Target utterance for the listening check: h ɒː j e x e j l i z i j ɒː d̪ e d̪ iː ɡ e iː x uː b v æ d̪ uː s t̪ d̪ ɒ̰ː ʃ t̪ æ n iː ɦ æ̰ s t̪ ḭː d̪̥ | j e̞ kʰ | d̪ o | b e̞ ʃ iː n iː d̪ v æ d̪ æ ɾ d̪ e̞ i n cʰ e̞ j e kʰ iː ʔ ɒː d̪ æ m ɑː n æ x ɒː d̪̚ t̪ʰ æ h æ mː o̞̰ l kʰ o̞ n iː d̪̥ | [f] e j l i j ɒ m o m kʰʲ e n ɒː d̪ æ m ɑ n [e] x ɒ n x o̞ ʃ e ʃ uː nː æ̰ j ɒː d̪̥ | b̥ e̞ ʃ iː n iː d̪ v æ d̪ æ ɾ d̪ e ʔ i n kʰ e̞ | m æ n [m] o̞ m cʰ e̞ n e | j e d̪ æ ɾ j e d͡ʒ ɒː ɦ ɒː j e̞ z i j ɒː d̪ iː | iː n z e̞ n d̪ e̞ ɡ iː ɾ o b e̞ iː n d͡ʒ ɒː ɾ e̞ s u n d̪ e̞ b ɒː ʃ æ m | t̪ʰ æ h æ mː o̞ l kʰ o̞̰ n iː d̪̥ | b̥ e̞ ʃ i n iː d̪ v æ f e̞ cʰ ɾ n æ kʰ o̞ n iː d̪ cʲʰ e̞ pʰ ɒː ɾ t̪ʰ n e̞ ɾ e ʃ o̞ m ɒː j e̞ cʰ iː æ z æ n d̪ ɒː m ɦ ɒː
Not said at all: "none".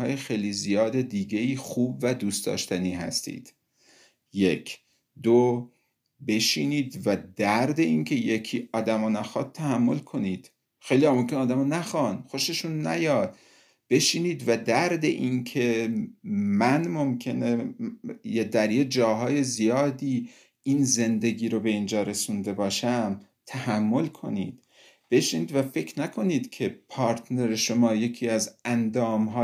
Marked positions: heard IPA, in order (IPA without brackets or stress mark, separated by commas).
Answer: x, æ, m